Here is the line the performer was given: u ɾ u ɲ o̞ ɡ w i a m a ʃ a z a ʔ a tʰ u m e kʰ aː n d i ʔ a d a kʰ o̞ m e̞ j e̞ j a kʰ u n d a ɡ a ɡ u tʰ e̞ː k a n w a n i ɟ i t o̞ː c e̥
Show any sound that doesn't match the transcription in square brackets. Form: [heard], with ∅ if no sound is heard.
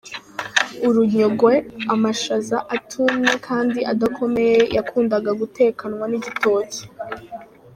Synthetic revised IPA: u ɾ u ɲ o̞ ɡ w [e] a m a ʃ a z a ʔ a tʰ u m e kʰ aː n d i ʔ a d a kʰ o̞ m e̞ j e̞ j a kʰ [uː] n d a ɡ a ɡ u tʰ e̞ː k a n w a n i ɟ i t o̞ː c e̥